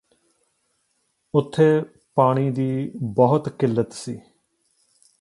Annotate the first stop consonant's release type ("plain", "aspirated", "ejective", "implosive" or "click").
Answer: aspirated